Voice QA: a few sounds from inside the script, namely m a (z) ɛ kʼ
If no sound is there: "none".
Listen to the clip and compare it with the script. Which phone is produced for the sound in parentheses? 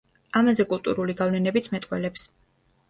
z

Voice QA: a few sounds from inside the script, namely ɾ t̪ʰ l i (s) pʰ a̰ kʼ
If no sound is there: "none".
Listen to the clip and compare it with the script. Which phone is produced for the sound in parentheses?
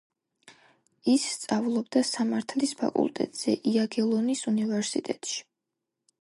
s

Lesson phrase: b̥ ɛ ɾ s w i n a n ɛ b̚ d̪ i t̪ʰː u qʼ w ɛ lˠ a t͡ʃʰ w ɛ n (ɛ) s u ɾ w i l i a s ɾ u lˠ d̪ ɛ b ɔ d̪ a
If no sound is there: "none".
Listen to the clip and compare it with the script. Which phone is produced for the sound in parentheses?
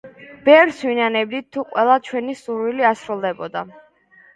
i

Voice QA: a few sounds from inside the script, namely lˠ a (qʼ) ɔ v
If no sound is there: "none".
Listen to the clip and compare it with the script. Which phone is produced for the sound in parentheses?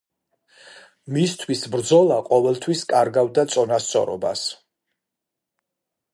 qʼ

